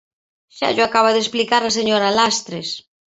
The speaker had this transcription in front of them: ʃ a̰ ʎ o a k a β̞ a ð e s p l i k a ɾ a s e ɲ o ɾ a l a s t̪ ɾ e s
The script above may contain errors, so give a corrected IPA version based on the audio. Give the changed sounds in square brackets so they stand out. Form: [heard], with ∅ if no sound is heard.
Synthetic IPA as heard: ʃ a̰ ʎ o a k a β̞ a ð e s p l i k a ɾ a s e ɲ o ɾ a l a s t̪ ɾ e s